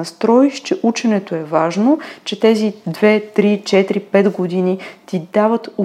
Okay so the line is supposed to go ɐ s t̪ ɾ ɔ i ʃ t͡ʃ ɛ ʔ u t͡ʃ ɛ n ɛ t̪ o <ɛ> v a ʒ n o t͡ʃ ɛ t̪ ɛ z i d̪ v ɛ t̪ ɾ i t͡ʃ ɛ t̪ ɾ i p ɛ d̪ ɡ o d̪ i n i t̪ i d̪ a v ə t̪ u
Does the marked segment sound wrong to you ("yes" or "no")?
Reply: no